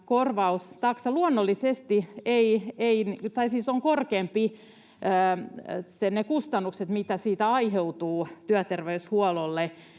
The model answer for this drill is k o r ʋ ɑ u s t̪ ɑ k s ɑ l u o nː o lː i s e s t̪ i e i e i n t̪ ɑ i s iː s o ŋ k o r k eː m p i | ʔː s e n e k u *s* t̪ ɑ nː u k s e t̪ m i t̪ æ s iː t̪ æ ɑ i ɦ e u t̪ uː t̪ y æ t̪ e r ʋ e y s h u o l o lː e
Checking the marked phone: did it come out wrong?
no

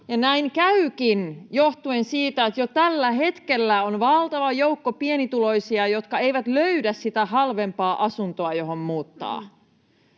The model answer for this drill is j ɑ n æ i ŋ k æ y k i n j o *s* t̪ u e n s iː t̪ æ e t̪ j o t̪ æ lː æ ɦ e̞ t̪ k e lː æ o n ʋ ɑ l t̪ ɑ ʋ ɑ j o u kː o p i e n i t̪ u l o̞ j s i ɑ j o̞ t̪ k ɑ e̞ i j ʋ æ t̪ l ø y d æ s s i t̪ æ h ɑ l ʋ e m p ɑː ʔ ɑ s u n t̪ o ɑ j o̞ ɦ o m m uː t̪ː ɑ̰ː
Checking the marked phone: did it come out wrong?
yes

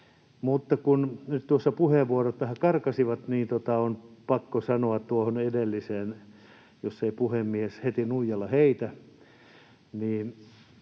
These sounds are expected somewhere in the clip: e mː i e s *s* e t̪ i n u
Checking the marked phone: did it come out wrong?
yes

